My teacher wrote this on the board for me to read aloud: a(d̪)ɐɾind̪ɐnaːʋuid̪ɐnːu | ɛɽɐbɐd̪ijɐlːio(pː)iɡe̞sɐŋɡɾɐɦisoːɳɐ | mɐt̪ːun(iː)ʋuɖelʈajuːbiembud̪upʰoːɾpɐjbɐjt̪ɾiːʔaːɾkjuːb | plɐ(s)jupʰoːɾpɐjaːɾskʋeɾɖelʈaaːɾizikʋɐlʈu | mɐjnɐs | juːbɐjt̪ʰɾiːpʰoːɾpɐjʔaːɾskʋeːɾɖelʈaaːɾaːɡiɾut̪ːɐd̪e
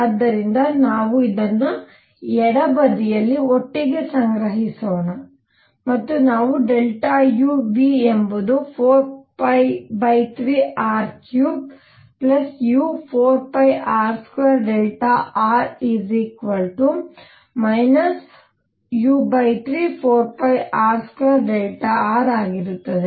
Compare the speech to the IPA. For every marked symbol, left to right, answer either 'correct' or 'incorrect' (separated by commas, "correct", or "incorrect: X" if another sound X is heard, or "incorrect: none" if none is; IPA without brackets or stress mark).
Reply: incorrect: d̪ː, incorrect: ʈː, incorrect: aː, correct